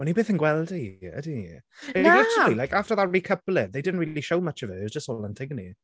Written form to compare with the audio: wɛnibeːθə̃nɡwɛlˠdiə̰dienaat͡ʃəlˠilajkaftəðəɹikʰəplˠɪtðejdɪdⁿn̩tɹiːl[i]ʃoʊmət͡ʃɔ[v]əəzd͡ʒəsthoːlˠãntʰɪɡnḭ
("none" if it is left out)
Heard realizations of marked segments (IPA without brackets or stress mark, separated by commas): i, v